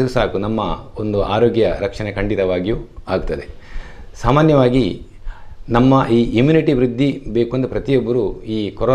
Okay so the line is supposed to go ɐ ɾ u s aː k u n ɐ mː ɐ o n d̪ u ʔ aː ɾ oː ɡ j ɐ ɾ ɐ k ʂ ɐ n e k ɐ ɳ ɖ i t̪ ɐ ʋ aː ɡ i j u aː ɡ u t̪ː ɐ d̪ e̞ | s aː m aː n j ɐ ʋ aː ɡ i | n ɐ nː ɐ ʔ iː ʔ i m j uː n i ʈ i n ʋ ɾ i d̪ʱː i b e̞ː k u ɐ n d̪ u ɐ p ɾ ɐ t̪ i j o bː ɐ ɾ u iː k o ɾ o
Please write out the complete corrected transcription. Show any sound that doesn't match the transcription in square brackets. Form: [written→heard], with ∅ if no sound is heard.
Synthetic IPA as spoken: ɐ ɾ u s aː k u n ɐ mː ɐ o n d̪ u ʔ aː ɾ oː ɡ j ɐ ɾ ɐ k ʂ ɐ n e k ɐ ɳ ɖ i t̪ ɐ ʋ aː ɡ i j u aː ɡ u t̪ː ɐ d̪ e̞ | s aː m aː n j ɐ ʋ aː ɡ i | n ɐ [nː→mː] ɐ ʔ iː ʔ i m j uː n i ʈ i [n→∅] ʋ ɾ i d̪ʱː i b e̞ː k u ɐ n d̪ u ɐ p ɾ ɐ t̪ i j o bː ɐ ɾ u iː k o ɾ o